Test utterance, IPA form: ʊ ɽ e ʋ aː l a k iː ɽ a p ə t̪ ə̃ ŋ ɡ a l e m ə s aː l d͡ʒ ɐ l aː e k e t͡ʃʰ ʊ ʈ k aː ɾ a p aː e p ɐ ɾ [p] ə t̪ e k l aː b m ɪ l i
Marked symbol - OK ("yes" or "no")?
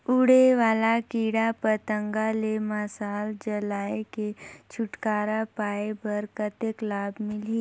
no